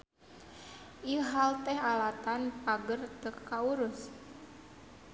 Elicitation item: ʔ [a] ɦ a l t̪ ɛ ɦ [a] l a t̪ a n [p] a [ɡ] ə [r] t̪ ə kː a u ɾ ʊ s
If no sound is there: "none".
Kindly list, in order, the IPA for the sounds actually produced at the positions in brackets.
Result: i, a, p, ɡ, r

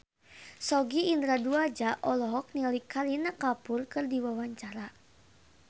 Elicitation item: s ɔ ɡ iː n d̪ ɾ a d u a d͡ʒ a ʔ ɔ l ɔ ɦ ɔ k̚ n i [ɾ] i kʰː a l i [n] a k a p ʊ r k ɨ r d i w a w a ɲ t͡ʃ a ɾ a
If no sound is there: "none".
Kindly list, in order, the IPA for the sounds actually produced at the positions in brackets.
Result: l, n

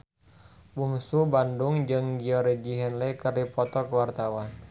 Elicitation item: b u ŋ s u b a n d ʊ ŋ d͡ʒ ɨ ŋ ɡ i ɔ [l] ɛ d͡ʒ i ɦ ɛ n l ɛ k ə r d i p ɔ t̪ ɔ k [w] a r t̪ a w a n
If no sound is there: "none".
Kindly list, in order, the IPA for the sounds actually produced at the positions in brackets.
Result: ɾ, w

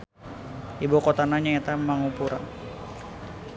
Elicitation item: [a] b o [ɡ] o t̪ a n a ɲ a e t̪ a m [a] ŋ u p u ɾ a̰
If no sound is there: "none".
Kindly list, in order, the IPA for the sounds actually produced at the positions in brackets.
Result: i, k, a

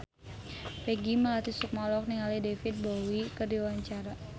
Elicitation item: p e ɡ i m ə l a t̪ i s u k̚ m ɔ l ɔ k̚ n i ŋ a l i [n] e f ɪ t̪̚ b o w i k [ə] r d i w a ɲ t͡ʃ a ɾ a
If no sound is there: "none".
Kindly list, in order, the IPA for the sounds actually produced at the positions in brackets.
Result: d, ə

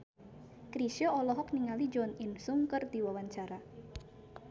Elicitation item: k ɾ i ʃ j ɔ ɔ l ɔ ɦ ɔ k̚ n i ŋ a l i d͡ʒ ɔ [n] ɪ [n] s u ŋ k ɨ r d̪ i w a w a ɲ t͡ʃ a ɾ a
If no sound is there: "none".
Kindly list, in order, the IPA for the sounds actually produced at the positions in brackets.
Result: n, n

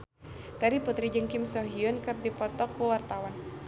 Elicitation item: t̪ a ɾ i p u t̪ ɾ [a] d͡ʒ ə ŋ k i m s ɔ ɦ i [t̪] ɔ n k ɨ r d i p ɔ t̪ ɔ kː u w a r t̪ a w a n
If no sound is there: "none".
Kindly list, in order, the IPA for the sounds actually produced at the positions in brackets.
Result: i, none

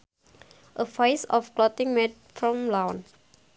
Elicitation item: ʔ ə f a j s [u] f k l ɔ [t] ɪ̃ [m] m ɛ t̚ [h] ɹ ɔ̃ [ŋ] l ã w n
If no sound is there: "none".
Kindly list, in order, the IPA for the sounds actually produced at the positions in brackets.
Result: ɔ, t, ŋ, f, m

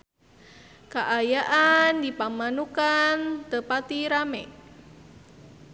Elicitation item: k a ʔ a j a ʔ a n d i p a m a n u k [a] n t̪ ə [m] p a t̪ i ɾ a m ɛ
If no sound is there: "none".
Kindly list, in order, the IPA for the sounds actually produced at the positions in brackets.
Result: a, none

